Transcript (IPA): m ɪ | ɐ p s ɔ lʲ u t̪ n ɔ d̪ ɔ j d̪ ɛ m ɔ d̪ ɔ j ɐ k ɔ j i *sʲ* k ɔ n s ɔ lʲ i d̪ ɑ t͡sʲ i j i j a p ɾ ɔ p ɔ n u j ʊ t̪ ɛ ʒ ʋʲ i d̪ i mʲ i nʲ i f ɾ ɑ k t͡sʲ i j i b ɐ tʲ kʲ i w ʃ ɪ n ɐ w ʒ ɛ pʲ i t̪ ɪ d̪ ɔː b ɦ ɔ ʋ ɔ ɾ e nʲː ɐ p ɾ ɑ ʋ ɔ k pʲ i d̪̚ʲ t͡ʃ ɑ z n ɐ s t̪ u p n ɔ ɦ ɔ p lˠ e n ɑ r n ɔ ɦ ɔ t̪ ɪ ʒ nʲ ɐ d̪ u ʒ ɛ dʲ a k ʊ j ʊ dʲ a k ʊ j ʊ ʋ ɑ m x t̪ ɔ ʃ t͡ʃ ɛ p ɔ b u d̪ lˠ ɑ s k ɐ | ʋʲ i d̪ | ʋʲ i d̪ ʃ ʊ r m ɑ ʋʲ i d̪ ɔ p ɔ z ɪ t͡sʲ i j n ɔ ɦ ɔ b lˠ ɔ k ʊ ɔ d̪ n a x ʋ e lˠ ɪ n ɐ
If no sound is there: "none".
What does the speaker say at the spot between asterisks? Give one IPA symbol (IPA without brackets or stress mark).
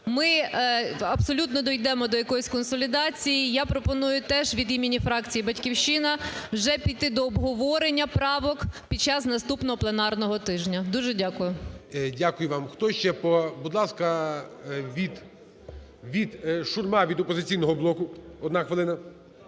sʲ